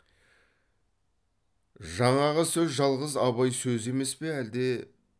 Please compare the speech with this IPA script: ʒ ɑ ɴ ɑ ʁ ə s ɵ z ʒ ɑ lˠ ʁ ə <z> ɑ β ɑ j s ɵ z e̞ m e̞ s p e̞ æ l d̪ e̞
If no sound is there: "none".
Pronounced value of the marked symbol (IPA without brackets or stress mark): z